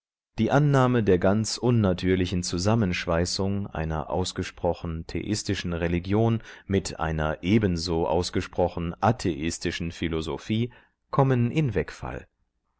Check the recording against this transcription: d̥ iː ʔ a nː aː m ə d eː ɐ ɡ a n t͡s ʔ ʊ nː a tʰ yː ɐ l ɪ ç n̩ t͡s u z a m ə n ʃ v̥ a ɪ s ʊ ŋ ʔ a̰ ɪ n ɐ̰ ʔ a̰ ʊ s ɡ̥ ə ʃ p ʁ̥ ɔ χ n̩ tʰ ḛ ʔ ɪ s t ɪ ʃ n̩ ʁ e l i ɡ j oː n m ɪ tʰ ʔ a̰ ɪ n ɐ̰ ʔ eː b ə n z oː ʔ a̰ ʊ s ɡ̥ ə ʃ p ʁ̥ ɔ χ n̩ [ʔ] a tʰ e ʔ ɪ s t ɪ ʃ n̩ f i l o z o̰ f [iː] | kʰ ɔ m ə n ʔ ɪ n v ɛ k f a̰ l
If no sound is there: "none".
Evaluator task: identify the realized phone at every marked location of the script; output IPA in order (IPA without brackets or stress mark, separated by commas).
ʔ, iː